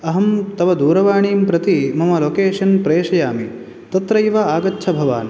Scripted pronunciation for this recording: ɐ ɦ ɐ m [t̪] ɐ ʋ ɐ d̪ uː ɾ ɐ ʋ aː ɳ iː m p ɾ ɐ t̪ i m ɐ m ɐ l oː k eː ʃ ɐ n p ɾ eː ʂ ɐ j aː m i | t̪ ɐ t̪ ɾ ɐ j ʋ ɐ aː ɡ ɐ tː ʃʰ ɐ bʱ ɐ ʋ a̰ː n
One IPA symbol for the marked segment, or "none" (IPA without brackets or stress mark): t̪